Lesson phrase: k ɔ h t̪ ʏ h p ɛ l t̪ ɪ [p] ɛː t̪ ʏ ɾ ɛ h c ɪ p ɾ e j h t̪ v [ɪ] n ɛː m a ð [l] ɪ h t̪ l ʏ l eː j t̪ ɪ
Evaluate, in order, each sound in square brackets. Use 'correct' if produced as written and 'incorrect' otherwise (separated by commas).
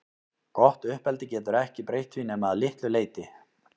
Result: incorrect, incorrect, correct